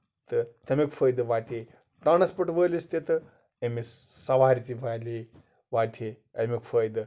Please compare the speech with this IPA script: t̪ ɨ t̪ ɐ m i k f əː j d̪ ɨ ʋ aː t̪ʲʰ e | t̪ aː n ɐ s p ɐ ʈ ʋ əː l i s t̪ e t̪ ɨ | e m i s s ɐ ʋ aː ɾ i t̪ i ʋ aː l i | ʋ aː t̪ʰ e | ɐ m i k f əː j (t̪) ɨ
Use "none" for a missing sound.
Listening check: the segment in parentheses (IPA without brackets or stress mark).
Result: d̪